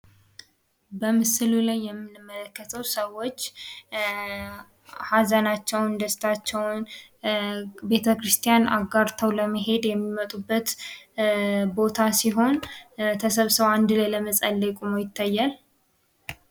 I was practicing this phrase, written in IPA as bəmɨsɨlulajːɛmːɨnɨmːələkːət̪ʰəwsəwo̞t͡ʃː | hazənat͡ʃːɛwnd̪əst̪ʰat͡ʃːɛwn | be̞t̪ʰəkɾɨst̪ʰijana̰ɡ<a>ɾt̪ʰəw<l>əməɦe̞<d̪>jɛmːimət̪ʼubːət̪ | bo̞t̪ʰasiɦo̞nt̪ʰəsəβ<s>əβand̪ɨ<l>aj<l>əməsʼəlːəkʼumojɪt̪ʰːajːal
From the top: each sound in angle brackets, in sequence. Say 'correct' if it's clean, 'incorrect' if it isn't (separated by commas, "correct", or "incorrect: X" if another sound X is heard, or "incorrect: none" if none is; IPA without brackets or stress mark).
correct, correct, correct, correct, correct, correct